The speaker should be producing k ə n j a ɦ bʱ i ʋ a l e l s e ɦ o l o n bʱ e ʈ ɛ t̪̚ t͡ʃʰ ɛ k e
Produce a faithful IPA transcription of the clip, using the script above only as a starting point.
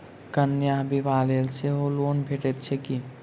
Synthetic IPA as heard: k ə n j a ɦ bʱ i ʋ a l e l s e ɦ o l o n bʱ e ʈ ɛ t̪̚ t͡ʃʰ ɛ k i

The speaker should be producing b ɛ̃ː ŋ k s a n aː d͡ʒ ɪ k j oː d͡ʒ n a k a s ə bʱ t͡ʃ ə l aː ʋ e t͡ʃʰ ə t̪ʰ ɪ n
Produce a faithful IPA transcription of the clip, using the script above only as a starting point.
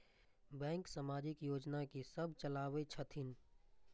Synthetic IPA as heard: b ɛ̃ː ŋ k s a m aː d͡ʒ ɪ k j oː d͡ʒ n a k i s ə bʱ t͡ʃ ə l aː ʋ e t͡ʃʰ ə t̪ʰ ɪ n

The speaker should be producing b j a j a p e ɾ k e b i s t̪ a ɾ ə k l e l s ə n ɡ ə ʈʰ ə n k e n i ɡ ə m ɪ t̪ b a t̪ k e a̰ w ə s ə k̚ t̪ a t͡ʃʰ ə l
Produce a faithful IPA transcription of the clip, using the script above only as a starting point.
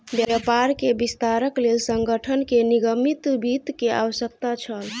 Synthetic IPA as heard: b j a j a p a ɾ k e b i s t̪ a ɾ ə k l e l s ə ŋ ɡ ə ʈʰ ə n k e n i ɡ ə m i t̪ b i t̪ k e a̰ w ə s ə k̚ t̪ a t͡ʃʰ ə l

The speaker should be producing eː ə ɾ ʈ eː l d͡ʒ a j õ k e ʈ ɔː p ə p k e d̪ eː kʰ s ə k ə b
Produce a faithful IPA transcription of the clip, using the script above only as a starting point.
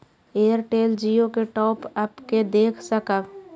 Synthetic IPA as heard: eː ə ɾ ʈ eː l d͡ʒ i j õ k e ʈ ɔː p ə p k e d̪ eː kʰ s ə k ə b

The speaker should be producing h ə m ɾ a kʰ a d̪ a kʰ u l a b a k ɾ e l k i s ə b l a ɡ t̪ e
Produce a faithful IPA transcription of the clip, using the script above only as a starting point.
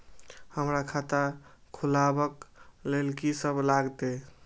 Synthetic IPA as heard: h ə m ɾ a kʰ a t̪ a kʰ u l a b ə k l e l k i s ə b l a ɡ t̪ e

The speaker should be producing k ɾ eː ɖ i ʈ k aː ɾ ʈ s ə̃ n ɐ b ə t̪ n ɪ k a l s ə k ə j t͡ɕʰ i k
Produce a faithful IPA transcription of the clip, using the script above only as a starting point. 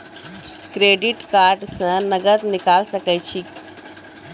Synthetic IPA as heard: k ɾ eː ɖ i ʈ k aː ɾ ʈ s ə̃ n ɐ ɡ ə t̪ n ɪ k a l s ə k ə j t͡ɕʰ i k

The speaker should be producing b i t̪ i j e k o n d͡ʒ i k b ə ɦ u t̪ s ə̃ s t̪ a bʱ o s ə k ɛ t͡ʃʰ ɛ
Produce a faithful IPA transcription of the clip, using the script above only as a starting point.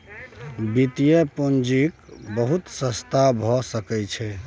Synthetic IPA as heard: b i t̪ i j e p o n d͡ʒ i k b ə ɦ u t̪ s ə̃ s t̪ a bʱ ɔ s ə k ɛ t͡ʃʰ ɛ

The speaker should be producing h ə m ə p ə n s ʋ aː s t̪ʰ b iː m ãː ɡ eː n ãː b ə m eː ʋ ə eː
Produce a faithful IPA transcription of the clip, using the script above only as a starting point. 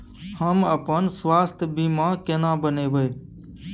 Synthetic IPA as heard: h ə m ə p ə n s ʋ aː s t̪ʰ b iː m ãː k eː n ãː b ə n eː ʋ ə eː

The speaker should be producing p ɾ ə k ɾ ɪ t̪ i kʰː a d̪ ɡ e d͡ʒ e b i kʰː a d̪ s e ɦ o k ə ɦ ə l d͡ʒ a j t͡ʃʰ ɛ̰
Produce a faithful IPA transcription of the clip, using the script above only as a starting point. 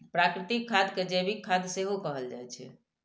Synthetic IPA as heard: p ɾ a k ɾ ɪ t̪ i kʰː a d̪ k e d͡ʒ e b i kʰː a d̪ s e ɦ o k ə ɦ ə l d͡ʒ a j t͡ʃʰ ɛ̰

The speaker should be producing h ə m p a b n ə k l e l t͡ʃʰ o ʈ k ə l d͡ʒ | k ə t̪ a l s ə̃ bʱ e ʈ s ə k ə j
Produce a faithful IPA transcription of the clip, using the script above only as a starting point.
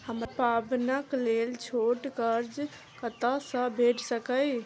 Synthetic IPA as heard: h ə m p a b n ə k l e l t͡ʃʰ o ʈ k ə ɾ d͡ʒ | k ə t̪ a s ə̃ bʱ e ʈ s ə k ə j

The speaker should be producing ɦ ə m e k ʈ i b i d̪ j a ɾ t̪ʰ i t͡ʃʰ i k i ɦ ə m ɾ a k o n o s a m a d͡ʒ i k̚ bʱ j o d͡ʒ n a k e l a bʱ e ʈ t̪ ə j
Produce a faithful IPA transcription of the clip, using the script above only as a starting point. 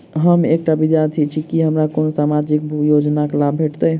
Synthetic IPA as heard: ɦ ə m e k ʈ a b i d̪ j a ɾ t̪ʰ i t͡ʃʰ i k i ɦ ə m ɾ a k o n o s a m a d͡ʒ i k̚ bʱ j o d͡ʒ n a k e l a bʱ e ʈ t̪ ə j

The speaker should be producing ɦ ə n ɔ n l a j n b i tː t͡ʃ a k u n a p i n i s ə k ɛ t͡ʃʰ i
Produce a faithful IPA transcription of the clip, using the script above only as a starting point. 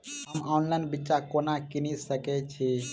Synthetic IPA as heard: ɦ ə m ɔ n l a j n b i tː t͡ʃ a k o n a k i n i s ə k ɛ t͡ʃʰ i

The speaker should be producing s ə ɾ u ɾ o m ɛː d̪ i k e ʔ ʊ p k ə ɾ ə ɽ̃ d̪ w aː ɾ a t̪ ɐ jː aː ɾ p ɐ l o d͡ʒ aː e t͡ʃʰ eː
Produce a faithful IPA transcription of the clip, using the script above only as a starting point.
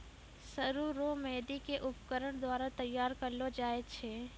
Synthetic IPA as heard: s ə ɾ u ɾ o m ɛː d̪ i k e ʔ ʊ p k ə ɾ ə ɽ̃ d̪ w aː ɾ a t̪ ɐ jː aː ɾ k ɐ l o d͡ʒ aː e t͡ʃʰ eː

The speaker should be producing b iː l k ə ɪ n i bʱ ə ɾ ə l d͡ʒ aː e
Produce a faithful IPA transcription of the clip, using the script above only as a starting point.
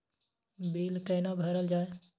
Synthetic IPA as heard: b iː l k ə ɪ n a bʱ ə ɾ ə l d͡ʒ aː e

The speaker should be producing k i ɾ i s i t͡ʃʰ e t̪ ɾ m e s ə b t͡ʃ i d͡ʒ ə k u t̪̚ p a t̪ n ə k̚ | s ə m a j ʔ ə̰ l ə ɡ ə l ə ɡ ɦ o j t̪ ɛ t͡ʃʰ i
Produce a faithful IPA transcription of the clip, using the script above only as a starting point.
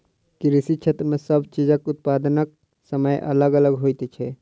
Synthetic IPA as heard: k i ɾ i s i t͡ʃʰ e t̪ ɾ m e s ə b t͡ʃ i d͡ʒ ə k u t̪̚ p a d̪ n ə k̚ | s ə m ə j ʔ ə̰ l ə ɡ ə l ə ɡ ɦ o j t̪ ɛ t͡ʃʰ ɛ

